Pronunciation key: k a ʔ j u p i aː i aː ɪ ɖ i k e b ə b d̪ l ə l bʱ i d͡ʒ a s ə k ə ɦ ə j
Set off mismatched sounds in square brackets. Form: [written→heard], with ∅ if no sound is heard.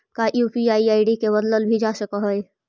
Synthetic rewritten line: k a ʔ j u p i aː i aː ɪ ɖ i k e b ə [b→∅] d̪ l ə l bʱ i d͡ʒ a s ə k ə ɦ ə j